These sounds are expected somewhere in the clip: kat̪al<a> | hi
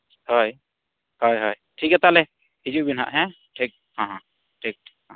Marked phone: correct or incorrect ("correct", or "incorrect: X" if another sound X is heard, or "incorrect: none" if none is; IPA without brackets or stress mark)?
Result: incorrect: ɛ